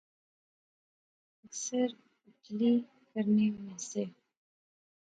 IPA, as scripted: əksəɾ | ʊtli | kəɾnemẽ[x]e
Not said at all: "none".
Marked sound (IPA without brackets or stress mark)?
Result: s